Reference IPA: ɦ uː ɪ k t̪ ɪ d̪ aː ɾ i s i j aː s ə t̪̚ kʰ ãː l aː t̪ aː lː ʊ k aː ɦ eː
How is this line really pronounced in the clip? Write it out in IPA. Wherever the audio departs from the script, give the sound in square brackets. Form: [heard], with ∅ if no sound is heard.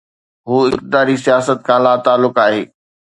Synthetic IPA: ɦ uː ɪ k t̪ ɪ d̪ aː ɾ i s i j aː s ə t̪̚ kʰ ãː l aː t̪ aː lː ʊ k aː ɦ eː